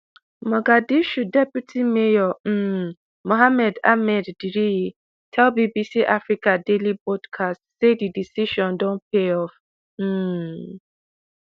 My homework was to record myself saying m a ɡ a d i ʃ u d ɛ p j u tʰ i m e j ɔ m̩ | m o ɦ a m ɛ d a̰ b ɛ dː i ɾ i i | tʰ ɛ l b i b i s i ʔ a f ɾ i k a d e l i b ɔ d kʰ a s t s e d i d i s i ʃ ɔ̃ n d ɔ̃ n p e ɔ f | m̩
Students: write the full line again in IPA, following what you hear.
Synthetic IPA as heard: m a ɡ a d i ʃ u d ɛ p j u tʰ i m e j ɔ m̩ | m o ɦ a m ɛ d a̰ m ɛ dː i ɾ i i | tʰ ɛ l b i b i s i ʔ a f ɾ i k a d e l i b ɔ d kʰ a s t s e d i d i s i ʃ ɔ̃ n d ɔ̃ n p e ɔ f | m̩